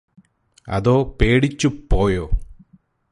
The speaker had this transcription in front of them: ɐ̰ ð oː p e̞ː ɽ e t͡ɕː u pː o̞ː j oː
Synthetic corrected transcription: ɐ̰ ð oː p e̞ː ɽ i t͡ɕː u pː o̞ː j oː

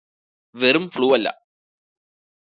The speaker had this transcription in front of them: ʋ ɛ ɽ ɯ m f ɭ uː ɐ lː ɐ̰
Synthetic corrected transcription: ʋ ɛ ɾ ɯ m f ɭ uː ɐ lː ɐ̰

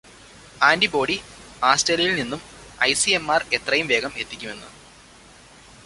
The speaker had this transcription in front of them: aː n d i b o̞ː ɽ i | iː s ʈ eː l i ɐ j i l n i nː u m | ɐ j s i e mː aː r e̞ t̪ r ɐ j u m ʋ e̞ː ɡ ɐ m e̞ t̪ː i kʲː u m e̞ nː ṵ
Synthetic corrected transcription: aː n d i b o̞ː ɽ i | aː s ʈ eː l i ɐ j i l n i nː u m | ɐ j s i e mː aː r e̞ t̪ r ɐ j u m ʋ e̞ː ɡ ɐ m e̞ t̪ː i kʲː u m e̞ nː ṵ

